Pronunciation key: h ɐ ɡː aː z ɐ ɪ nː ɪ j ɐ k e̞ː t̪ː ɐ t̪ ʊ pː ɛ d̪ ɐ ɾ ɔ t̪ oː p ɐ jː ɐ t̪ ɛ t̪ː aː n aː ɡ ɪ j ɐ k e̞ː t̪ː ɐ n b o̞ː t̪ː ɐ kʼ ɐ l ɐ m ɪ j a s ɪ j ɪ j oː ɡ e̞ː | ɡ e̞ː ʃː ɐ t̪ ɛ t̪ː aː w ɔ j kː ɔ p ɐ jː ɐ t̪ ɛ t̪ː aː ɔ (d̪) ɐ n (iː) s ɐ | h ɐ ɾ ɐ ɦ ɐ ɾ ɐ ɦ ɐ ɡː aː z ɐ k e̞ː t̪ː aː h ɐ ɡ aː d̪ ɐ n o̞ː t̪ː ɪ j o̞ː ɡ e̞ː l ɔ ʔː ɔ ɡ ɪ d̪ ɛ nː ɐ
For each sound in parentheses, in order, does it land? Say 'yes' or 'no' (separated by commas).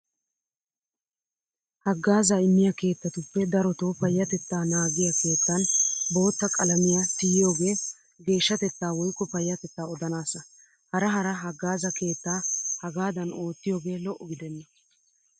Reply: yes, no